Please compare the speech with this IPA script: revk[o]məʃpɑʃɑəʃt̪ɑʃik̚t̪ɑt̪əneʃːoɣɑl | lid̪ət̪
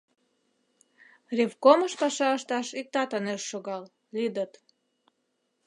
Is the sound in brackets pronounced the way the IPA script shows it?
yes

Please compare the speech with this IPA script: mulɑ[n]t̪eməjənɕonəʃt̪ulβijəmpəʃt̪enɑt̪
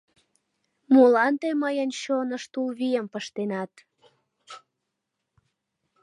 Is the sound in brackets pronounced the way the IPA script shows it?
yes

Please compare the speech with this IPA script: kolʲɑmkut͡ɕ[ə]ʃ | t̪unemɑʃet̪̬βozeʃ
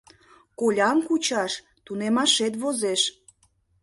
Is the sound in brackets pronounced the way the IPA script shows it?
no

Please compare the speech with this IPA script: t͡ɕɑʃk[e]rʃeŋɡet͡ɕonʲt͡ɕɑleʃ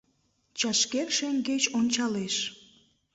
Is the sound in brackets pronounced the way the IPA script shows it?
yes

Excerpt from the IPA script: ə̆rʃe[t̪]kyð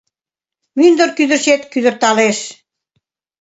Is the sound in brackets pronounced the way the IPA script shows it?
yes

